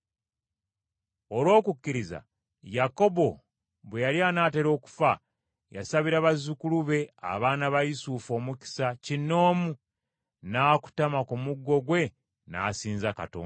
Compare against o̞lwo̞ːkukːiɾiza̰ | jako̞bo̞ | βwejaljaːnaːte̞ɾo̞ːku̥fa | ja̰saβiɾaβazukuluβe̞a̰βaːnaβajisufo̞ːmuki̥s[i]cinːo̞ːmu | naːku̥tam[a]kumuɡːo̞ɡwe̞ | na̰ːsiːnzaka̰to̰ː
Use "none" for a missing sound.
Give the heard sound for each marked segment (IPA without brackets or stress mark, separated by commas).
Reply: a, a